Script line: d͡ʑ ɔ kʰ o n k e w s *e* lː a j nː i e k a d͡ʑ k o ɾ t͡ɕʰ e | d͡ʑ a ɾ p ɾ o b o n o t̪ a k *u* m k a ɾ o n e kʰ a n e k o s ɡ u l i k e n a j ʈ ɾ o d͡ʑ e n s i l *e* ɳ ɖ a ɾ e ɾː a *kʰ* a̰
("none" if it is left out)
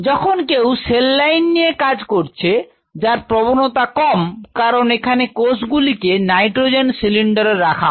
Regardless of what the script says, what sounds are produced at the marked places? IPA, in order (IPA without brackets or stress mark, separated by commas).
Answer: e, ɔ, i, kʰ